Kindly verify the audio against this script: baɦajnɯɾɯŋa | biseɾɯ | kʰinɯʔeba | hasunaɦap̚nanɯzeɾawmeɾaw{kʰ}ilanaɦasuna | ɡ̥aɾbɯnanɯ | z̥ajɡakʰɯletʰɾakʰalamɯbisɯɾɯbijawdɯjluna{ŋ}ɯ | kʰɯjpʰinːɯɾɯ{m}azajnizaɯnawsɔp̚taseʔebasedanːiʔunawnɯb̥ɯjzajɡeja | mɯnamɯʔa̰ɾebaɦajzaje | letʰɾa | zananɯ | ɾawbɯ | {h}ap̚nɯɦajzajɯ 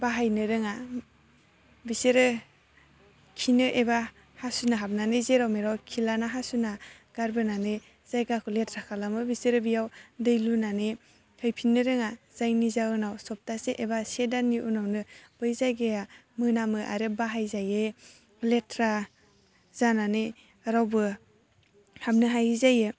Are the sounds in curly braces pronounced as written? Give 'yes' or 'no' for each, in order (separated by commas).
yes, no, no, yes